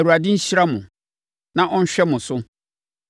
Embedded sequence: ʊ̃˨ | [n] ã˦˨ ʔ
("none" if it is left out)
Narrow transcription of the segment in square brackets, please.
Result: n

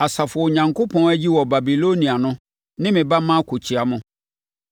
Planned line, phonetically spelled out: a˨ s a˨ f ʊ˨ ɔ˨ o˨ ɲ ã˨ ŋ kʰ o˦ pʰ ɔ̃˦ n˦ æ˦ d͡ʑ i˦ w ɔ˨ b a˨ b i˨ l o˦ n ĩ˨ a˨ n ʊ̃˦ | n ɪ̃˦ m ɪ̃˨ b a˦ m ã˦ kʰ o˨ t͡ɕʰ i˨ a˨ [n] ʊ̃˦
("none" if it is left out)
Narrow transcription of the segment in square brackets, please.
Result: m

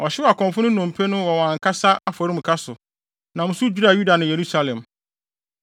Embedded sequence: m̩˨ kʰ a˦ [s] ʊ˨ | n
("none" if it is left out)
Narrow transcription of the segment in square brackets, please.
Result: s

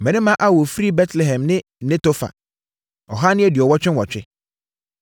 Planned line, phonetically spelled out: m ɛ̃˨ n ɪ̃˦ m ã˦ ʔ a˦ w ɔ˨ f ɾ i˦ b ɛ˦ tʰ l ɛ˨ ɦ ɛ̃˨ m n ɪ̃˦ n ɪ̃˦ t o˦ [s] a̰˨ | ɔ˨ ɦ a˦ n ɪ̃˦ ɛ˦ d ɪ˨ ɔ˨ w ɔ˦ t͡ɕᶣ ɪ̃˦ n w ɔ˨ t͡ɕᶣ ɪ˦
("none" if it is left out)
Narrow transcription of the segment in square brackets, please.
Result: f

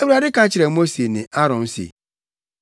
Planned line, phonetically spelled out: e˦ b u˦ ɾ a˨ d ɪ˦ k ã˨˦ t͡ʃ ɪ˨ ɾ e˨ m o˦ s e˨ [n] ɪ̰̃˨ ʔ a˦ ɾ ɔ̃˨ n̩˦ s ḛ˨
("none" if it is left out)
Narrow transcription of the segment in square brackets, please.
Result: n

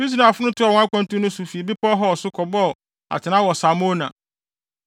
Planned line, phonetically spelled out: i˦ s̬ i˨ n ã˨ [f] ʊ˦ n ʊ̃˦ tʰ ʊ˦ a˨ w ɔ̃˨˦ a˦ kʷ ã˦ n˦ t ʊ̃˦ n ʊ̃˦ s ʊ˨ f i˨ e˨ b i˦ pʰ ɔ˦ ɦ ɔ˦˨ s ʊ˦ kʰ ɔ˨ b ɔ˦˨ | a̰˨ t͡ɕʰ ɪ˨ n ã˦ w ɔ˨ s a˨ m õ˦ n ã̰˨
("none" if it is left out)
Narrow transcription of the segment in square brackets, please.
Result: f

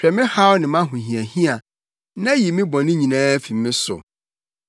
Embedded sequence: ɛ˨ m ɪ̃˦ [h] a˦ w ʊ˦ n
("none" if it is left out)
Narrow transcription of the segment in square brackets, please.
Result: h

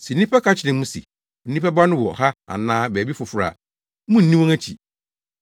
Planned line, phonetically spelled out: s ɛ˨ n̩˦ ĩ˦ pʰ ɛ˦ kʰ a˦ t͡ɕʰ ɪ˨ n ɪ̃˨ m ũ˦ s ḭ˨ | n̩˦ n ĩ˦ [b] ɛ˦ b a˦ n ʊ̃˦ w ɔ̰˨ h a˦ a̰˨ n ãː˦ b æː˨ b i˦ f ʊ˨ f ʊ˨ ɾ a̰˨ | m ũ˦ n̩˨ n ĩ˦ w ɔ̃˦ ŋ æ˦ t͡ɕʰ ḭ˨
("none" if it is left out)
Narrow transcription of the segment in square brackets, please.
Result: p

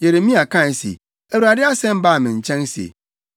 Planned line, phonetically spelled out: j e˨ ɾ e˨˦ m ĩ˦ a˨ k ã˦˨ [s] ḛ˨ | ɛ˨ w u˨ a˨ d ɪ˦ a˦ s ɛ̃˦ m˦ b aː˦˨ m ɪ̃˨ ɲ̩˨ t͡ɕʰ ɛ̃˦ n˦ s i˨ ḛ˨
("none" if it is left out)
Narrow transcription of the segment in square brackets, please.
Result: s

